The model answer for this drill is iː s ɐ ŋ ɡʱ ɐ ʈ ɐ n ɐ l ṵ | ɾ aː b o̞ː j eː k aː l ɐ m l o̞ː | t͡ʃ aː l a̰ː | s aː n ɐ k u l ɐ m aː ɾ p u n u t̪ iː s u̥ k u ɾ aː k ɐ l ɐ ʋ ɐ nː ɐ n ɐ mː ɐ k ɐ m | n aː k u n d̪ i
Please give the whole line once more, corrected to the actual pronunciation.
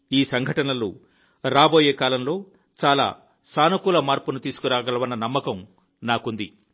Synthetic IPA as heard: iː s ɐ ŋ ɡʱ ɐ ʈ ɐ n ɐ l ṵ | ɾ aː b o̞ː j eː k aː l ɐ m l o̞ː | t͡ʃ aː l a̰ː | s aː n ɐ k u l ɐ m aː ɾ p u n u t̪ iː s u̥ k u ɾ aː ɡ ɐ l ɐ ʋ ɐ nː ɐ n ɐ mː ɐ k ɐ m | n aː k u n d̪ i